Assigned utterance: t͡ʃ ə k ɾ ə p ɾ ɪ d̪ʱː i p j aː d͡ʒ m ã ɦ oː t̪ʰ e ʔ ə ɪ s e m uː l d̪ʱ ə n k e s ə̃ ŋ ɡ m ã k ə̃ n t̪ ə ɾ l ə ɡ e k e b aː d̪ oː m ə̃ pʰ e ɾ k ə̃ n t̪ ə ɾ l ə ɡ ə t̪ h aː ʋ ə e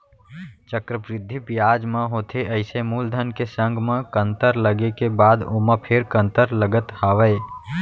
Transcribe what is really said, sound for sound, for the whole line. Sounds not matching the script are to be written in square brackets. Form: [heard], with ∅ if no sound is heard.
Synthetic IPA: t͡ʃ ə k ɾ ə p ɾ ɪ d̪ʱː i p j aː d͡ʒ m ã ɦ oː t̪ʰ e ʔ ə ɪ s e m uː l d̪ʱ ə n k e s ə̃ ŋ ɡ m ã k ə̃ n t̪ ə ɾ l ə ɡ e k e b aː d̪ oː m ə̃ pʰ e ɾ k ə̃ n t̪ ə ɾ l ə ɡ ə t̪ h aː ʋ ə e